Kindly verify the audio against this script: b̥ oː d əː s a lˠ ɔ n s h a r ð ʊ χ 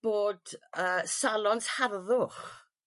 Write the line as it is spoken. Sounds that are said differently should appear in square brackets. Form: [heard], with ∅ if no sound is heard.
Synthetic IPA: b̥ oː d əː s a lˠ ɔ n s h a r ð ʊ χ